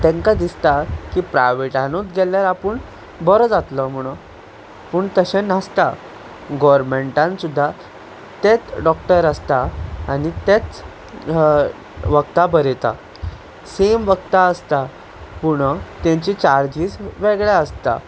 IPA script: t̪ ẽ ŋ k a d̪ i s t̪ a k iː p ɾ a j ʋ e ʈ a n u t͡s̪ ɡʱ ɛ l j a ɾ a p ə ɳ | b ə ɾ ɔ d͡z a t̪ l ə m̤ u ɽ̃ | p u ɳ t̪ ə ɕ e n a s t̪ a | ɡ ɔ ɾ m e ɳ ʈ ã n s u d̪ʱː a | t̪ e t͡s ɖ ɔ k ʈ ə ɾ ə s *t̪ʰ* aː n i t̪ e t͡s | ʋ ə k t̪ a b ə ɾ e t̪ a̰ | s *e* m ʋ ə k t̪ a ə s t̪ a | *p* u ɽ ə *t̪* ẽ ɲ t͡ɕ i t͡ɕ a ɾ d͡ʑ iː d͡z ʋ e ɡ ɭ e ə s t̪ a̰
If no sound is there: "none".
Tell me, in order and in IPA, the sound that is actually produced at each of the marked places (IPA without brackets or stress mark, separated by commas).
t̪, e, p, t̪